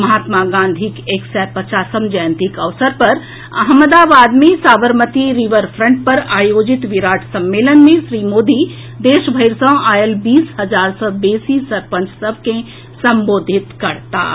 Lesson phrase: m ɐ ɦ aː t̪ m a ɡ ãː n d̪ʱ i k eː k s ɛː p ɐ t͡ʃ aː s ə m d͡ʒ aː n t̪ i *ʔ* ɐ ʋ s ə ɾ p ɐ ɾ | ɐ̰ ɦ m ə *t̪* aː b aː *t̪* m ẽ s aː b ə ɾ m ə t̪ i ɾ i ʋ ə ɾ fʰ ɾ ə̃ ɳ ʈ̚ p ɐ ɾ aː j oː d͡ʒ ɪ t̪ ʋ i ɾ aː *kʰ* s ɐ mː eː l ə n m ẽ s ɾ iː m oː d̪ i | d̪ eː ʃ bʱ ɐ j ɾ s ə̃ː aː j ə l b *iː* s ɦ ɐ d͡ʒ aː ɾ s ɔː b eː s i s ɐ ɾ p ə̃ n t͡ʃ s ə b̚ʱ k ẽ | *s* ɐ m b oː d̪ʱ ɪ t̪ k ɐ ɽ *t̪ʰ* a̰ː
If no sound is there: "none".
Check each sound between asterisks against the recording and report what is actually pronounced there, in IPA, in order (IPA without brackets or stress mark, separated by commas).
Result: k, d̪, d̪, ʈʰ, iː, s, t̪